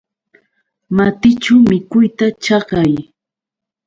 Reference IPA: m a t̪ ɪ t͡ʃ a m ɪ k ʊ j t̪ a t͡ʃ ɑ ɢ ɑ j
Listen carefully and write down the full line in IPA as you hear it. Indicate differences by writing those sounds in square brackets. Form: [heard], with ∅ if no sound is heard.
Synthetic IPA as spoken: m a t̪ ɪ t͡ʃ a m ɪ k ʊ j t̪ a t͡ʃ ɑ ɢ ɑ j